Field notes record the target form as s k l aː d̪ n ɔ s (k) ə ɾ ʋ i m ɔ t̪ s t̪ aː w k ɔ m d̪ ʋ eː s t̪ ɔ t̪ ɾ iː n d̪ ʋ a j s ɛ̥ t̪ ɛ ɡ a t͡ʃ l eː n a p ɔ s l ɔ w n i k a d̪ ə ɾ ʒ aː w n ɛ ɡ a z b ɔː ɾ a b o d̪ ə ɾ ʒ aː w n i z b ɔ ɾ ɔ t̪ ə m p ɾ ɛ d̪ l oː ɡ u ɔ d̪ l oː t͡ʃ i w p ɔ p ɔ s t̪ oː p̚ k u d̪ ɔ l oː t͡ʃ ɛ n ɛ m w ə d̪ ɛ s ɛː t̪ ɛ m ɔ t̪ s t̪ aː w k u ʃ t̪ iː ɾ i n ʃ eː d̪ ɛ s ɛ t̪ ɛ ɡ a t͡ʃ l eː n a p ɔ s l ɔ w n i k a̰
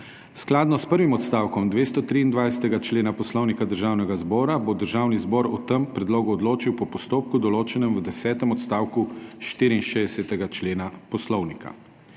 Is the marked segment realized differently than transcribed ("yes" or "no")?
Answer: yes